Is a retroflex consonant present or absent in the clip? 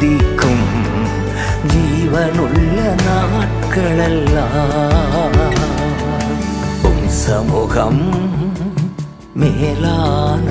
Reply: present